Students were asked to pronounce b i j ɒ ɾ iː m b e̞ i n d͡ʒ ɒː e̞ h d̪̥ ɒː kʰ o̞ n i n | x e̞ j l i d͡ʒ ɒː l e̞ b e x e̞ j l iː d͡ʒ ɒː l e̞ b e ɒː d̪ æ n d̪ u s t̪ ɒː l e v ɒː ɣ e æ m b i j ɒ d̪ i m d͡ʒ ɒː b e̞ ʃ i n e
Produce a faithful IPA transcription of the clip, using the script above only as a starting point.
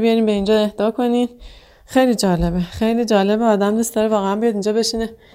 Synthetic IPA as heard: b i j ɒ ɾ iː m b e̞ i n d͡ʒ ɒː e̞ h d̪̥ ɒː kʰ o̞ n i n | x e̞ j l i d͡ʒ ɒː l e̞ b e x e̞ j l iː d͡ʒ ɒː l e̞ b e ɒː d̪ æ m d̪ u s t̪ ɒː ɾ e v ɒː ɣ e æ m b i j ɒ d̪ i n d͡ʒ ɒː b e̞ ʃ i n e